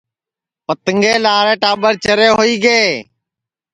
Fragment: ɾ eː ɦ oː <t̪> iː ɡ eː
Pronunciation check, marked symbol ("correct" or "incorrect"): incorrect